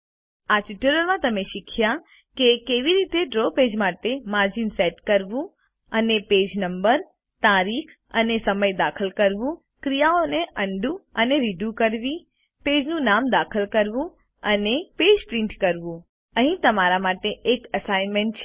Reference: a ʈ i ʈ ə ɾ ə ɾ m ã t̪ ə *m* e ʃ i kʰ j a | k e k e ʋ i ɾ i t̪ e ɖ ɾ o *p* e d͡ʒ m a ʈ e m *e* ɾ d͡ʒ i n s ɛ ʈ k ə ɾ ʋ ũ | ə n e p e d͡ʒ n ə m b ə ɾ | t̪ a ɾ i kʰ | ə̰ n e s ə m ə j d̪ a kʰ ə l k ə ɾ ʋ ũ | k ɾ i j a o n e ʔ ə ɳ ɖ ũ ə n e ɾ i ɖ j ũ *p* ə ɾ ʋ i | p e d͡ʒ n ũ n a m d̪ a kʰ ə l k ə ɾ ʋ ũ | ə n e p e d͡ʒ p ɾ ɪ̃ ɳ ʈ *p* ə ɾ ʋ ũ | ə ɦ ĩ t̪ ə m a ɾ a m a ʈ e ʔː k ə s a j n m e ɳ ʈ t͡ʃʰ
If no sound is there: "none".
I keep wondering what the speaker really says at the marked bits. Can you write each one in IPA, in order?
m, p, a, k, k

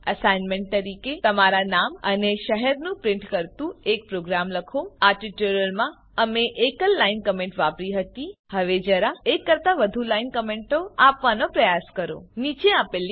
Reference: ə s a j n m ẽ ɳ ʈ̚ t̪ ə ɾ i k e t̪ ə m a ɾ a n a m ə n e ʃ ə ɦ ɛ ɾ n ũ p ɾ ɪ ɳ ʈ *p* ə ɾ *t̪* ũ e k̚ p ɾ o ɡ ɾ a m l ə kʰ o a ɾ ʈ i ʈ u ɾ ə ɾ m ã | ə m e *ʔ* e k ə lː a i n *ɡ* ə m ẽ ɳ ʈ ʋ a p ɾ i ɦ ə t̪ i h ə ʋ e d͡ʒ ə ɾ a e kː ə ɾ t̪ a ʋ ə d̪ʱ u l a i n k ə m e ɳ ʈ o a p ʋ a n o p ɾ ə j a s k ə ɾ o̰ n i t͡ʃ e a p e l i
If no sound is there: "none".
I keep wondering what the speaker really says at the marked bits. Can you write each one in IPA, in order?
k, t̪, ʔ, k

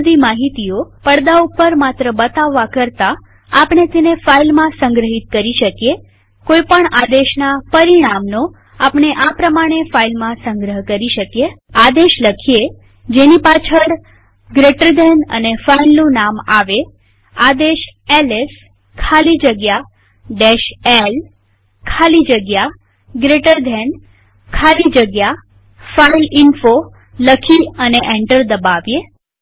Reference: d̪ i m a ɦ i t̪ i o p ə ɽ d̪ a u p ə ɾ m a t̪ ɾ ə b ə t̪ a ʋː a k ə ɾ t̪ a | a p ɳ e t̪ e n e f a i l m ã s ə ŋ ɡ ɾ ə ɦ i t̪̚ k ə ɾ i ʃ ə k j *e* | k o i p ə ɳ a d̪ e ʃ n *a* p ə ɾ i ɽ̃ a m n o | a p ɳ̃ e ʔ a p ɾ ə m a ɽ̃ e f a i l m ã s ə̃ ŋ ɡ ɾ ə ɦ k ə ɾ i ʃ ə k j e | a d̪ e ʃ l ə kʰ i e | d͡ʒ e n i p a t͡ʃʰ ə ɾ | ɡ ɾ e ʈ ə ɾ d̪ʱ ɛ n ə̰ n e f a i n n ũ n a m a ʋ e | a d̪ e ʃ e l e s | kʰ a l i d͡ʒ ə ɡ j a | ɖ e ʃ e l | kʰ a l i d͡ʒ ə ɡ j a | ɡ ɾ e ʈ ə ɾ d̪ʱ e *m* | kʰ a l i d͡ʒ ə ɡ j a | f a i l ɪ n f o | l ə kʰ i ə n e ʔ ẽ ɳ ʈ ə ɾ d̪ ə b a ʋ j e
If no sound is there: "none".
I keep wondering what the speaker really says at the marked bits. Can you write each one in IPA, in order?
e, a, n

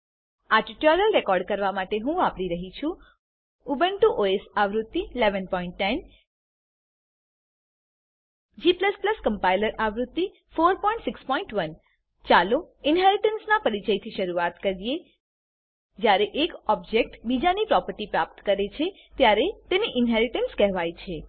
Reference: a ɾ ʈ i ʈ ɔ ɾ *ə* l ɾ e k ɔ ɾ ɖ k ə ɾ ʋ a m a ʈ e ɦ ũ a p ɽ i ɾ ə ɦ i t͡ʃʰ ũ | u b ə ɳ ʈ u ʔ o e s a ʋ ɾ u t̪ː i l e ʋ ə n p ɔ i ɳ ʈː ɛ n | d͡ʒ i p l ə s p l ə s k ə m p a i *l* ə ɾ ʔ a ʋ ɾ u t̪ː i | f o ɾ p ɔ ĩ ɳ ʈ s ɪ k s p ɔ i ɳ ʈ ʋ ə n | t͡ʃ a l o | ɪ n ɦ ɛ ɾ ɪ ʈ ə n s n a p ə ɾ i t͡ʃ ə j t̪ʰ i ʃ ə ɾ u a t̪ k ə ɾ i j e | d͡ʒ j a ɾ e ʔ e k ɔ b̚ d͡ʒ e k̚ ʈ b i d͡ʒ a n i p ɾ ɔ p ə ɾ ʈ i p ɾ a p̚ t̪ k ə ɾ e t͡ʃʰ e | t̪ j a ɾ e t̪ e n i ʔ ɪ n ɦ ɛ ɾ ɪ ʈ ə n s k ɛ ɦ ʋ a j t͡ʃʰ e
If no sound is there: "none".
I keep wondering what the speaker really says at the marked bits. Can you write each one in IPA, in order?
ə, l

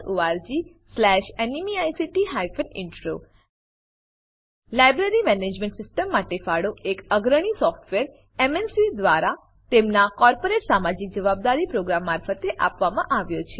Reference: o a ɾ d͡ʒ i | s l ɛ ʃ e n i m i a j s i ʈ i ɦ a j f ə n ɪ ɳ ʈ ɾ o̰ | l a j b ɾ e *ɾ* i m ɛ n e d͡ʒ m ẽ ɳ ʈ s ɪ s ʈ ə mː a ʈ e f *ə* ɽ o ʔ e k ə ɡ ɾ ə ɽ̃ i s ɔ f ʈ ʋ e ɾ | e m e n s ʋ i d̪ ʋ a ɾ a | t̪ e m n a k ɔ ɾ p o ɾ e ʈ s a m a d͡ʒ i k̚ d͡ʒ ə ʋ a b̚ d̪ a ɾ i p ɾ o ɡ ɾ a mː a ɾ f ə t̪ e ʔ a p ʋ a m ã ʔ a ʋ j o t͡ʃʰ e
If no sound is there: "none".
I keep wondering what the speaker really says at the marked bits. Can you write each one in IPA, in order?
ɾ, a

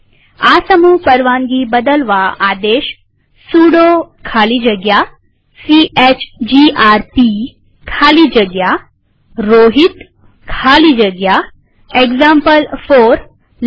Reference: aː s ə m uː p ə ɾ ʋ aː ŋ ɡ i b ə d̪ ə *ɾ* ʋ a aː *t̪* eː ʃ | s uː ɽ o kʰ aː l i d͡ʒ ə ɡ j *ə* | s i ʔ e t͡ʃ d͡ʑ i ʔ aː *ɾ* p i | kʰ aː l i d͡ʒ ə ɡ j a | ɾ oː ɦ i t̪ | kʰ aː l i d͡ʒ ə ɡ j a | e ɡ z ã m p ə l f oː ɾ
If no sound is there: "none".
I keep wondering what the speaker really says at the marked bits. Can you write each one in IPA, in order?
l, d̪, a, ɾ

